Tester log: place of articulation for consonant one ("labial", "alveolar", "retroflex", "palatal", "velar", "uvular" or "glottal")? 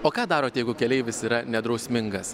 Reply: velar